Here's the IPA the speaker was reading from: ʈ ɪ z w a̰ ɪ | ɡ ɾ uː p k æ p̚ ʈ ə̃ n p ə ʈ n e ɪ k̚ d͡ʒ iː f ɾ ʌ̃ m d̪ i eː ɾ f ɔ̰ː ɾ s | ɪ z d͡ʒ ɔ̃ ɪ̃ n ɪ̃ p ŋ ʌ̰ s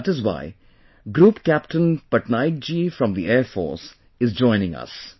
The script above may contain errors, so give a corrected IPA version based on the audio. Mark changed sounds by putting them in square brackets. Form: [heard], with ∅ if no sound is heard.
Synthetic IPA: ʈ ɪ z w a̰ ɪ | ɡ ɾ uː p k æ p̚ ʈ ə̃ n p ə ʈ n [a] ɪ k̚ d͡ʒ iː f ɾ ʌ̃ m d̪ i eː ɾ f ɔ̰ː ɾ s | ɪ z d͡ʒ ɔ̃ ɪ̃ n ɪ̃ [∅] ŋ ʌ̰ s